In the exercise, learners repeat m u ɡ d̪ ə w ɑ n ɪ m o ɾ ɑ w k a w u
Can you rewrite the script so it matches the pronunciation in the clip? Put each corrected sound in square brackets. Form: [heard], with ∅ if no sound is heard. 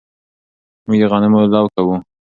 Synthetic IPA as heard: m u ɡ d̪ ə [ɣ] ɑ n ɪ m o [l] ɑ w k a w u

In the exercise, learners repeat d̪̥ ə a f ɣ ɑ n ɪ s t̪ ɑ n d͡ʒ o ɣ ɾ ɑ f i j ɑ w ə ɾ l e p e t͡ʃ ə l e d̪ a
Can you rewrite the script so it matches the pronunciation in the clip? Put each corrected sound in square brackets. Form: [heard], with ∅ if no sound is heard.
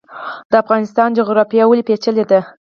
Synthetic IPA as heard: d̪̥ ə a f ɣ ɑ n ɪ s t̪ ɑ n d͡ʒ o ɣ ɾ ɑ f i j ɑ w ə [∅] l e p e t͡ʃ ə l e d̪ a

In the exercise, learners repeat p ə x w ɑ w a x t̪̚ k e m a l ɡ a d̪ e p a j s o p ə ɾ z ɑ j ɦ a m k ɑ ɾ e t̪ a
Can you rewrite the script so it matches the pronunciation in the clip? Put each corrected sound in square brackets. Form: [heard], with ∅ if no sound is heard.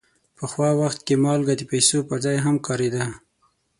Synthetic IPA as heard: p ə x w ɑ w a x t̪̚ k e m [ɑ] l ɡ a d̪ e p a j s o p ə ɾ z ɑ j ɦ a m k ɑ ɾ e [d̪] a

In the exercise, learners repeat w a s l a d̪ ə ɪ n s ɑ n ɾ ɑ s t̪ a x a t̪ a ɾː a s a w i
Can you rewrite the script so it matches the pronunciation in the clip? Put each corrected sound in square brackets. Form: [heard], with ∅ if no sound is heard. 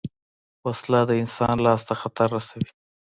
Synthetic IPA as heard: w a s l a d̪ ə ɪ n s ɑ n [l] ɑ s t̪ a x a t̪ a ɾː a s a w i

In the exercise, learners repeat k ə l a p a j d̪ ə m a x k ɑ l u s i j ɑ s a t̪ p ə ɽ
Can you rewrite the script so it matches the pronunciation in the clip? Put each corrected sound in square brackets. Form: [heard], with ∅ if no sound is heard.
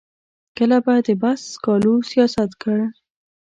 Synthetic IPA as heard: k ə l a [b] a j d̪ ə [b] a [s] k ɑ l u s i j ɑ s a t̪ [k] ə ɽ

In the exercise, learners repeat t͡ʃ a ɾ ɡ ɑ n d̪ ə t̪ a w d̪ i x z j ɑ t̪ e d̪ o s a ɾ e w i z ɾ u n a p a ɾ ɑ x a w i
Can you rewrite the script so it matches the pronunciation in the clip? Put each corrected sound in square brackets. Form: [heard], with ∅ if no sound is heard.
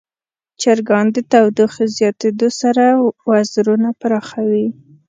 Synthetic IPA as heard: t͡ʃ a ɾ ɡ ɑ n d̪ ə t̪ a w d̪ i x z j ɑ t̪ e d̪ o s a ɾ [a] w [a] z ɾ u n a p a ɾ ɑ x a w i

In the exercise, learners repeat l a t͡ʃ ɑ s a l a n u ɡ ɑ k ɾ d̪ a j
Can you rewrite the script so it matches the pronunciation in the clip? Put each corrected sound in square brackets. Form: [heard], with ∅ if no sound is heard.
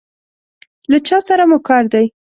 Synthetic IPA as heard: l a t͡ʃ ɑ s a [ɾ] a [m] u [k] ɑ [∅] ɾ d̪ a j

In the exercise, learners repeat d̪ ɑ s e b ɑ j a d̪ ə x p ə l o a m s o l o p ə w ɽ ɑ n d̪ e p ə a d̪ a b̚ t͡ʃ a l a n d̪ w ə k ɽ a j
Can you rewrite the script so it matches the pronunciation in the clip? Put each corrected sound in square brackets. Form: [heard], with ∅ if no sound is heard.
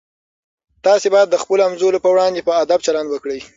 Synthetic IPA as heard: [t̪] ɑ s e b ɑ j a [d̪ː] ə x p ə l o a m [z] o l o p ə w ɽ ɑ n d̪ e p ə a d̪ a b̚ t͡ʃ a l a n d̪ w ə k ɽ [ə] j

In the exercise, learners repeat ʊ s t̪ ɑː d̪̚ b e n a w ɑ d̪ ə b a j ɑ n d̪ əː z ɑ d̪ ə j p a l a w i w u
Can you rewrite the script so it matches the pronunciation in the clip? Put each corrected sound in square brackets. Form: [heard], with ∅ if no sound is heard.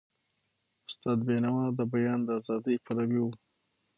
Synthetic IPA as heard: ʊ s t̪ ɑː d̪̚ b e n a w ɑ d̪ ə b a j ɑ n d̪ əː z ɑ d̪ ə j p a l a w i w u

